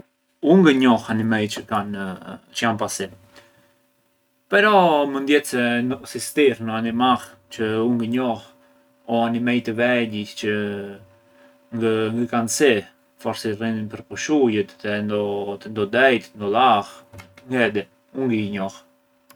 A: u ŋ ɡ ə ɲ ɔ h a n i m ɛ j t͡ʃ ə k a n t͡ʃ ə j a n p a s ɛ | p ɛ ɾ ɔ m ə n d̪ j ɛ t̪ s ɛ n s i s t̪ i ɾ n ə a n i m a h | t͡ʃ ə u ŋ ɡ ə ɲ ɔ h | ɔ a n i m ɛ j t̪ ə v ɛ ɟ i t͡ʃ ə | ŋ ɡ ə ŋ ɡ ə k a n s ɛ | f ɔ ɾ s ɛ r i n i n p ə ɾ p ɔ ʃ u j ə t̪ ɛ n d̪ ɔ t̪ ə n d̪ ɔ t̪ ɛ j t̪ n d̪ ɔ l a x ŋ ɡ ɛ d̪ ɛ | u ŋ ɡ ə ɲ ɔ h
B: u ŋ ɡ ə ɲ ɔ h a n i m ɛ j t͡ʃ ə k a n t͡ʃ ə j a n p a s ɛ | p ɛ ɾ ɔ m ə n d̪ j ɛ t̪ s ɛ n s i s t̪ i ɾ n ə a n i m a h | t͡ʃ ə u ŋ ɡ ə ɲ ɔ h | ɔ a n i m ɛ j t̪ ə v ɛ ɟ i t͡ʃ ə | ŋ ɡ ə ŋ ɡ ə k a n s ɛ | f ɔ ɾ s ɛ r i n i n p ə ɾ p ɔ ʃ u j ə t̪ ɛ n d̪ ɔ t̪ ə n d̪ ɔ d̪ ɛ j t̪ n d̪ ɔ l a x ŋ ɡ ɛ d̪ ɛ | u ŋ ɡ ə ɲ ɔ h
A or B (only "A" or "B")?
B